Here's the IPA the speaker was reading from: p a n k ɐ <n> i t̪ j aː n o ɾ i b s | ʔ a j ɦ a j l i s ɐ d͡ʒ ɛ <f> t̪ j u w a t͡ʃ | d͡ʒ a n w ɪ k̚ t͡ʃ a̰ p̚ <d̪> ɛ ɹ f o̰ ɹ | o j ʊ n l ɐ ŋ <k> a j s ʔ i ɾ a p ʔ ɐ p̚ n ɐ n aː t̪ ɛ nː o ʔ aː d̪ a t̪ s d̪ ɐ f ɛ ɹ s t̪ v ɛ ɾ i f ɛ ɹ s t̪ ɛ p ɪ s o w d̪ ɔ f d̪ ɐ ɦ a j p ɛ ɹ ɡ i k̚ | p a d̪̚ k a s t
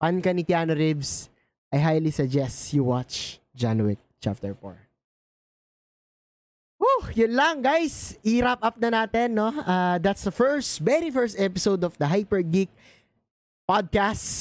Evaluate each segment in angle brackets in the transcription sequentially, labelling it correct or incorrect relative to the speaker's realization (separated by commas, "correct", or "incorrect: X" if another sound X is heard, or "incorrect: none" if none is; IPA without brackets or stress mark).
correct, incorrect: s, incorrect: t̪, incorrect: ɡ